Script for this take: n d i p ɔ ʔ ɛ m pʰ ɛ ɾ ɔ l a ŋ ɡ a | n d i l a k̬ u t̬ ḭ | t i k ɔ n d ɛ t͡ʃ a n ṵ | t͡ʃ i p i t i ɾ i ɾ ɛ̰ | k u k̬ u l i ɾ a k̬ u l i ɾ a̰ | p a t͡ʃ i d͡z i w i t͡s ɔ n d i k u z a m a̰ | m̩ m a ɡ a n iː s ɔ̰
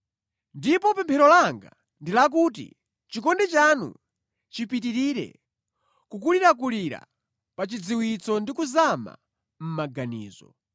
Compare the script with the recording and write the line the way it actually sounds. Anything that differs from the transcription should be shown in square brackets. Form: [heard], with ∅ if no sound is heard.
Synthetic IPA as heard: n d i p ɔ [p] ɛ m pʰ ɛ ɾ ɔ l a ŋ ɡ a | n d i l a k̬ u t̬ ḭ | [t͡ʃ] i k ɔ n d ɛ t͡ʃ a n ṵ | t͡ʃ i p i t i ɾ i ɾ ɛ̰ | k u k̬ u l i ɾ a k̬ u l i ɾ a̰ | p a t͡ʃ i d͡z i w i t͡s ɔ n d i k u z a m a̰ | m̩ m a ɡ a n iː [z] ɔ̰